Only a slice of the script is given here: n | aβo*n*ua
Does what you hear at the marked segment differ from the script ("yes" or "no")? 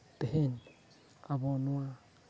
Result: no